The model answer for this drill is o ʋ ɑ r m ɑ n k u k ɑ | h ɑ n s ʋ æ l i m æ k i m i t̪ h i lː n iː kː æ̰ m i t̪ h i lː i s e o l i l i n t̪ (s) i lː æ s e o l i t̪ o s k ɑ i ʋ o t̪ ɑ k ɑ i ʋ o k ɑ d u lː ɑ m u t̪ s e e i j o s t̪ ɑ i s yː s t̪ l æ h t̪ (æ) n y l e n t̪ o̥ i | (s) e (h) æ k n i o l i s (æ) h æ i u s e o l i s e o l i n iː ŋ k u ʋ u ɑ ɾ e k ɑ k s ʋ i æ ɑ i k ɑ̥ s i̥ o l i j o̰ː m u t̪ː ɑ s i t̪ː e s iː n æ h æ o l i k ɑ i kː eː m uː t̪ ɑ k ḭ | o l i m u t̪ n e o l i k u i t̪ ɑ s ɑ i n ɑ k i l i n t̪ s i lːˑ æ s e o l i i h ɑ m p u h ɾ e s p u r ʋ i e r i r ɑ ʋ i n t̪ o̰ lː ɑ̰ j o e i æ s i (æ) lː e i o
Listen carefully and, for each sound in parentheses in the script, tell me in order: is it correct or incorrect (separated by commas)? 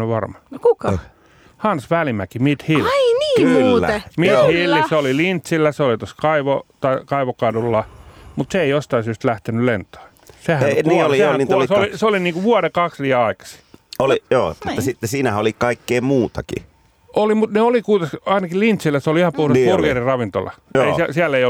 correct, incorrect, correct, correct, incorrect, correct